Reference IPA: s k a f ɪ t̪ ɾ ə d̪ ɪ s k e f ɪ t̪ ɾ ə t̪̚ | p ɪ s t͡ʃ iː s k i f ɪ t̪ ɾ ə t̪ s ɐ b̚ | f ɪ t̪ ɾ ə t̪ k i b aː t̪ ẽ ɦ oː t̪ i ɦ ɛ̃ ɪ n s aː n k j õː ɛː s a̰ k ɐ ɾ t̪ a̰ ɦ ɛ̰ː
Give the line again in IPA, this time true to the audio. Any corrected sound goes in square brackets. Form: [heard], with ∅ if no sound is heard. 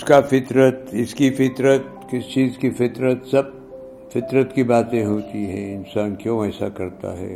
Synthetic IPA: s k a f ɪ t̪ ɾ ə [t̪] ɪ s k [i] f ɪ t̪ ɾ ə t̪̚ | [k] ɪ s t͡ʃ iː [z] k i f ɪ t̪ ɾ ə t̪ s ɐ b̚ | f ɪ t̪ ɾ ə t̪ k i b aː t̪ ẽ ɦ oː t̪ i ɦ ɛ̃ ɪ n s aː n k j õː ɛː s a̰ k ɐ ɾ t̪ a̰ ɦ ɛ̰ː